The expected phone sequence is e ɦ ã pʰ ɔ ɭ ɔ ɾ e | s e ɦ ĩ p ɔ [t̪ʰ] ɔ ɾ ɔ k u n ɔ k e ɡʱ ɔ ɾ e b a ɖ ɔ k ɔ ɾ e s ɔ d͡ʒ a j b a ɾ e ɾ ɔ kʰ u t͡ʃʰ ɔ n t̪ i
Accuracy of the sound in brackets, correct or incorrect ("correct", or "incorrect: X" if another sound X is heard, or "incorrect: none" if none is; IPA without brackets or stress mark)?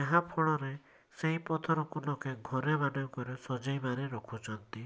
correct